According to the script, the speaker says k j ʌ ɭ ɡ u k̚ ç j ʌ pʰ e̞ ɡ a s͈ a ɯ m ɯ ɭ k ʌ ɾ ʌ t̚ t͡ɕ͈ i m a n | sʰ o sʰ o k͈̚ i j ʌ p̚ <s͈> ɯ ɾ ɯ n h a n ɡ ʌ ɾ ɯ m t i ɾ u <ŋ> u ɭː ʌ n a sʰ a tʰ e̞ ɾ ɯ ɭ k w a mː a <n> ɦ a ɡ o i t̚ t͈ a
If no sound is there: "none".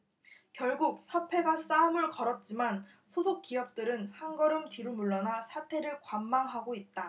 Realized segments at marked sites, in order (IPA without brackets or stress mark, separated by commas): t͈, m, ŋ